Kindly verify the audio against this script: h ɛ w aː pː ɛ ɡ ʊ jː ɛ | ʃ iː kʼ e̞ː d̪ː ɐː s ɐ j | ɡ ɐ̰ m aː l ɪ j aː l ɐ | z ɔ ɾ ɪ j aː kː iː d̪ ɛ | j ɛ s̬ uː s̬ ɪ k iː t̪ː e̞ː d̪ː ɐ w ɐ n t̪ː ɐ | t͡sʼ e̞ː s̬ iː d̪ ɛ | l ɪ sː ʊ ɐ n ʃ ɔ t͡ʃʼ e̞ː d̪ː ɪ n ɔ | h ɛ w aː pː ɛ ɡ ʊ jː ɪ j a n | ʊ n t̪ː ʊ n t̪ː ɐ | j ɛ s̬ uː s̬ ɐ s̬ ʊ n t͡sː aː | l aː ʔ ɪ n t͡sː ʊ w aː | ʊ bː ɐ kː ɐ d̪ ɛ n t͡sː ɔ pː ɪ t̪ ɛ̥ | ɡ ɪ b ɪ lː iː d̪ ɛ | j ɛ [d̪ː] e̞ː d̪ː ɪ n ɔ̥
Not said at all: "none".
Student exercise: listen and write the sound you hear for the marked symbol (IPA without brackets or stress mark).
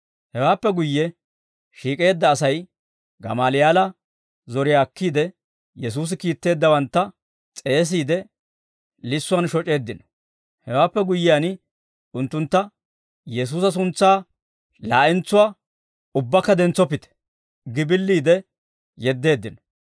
d̪ː